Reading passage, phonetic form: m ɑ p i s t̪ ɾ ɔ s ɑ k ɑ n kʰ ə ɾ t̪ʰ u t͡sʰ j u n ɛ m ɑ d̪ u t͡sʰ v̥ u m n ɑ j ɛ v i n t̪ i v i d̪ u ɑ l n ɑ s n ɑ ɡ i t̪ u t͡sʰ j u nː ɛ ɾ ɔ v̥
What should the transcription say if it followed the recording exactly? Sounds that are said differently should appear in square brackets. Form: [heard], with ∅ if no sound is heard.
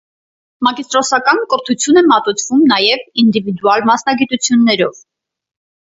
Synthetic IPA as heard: m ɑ [k] i s t̪ ɾ ɔ s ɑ k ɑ n [k] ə ɾ t̪ʰ u t͡sʰ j u n ɛ m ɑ [t̪] u t͡sʰ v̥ u m n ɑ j ɛ v i n [d̪] i v i d̪ u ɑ l [m] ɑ s n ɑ ɡ i t̪ u t͡sʰ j u nː ɛ ɾ ɔ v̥